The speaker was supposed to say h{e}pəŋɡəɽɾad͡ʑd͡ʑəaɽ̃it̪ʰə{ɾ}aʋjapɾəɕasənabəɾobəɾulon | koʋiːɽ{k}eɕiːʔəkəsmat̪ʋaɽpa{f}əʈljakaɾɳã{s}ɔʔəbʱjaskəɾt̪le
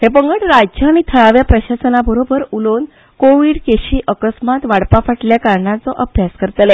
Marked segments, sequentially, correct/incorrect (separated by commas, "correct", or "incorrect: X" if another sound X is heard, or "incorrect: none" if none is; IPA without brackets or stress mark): correct, incorrect: ɭ, correct, correct, incorrect: t͡s